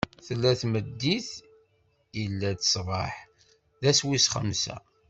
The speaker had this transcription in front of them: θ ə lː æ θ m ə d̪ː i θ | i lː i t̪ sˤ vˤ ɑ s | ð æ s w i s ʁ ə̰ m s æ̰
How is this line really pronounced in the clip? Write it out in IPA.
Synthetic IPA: θ ə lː æ θ m ə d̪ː i θ | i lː æ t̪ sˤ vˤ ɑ ħ | ð æ s w i s χ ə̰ m s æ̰